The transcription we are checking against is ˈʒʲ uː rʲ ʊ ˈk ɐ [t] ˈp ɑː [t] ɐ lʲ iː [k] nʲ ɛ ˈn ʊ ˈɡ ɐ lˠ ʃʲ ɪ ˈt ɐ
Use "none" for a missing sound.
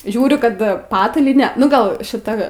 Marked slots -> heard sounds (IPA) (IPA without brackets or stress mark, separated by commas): t, t, none